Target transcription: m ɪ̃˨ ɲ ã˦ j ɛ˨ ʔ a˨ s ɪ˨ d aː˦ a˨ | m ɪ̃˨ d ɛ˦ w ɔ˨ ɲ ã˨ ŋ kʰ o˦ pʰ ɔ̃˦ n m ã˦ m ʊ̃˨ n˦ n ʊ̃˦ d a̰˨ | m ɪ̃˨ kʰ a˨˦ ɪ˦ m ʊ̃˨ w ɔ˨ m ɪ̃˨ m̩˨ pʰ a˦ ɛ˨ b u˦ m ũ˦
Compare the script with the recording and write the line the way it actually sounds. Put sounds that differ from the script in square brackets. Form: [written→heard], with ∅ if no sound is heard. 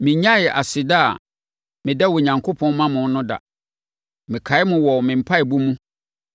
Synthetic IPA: m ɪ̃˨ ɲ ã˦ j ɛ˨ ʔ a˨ s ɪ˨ d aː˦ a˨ | m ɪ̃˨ d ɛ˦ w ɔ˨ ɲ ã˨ ŋ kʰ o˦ pʰ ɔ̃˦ n m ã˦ m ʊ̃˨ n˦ n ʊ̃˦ d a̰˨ | m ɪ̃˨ kʰ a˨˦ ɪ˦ m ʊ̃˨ w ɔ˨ m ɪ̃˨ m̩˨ pʰ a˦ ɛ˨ b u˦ m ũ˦